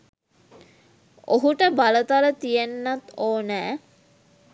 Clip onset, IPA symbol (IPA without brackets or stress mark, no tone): o